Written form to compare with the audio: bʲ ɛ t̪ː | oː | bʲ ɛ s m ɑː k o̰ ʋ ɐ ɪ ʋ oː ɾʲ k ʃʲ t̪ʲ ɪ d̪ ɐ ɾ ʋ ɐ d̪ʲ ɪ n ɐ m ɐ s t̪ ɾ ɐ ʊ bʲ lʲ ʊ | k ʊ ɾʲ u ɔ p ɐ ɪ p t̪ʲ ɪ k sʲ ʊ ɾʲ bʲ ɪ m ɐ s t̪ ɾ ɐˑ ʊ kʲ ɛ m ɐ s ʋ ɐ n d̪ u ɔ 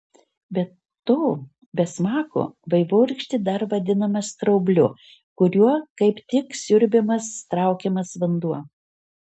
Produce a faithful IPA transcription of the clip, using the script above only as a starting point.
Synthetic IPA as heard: bʲ ɛ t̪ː | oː | bʲ ɛ s m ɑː k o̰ ʋ ɐ ɪ ʋ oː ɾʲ k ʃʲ t̪ʲ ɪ d̪ ɐ ɾ ʋ ɐ d̪ʲ ɪ n ɐ m ɐ s t̪ ɾ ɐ ʊ bʲ lʲ ʊ | k ʊ ɾʲ u ɔ k ɐ ɪ p t̪ʲ ɪ k sʲ ʊ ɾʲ bʲ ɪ m ɐ s t̪ ɾ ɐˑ ʊ kʲ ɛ m ɐ s ʋ ɐ n d̪ u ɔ